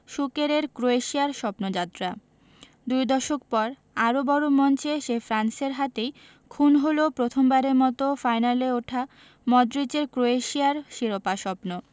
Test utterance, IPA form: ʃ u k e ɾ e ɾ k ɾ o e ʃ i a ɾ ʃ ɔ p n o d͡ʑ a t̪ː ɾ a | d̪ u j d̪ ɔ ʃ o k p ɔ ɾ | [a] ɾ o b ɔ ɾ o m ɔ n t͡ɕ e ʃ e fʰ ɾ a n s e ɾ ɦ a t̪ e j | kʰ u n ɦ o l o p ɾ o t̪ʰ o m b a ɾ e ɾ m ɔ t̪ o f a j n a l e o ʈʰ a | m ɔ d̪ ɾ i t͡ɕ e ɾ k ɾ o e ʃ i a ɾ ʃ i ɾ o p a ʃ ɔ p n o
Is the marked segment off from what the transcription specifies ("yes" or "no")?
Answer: no